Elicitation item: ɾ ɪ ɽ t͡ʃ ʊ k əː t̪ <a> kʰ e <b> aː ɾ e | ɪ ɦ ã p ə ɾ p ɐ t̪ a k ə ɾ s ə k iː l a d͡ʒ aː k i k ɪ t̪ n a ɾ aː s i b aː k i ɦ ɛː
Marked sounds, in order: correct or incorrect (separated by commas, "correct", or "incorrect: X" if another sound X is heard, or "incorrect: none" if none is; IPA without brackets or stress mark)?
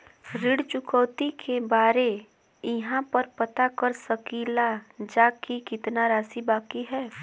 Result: incorrect: i, correct